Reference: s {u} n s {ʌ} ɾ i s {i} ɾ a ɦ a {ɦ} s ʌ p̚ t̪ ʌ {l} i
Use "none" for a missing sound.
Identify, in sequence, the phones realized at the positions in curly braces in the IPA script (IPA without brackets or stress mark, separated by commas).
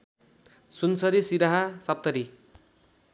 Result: u, ʌ, i, none, ɾ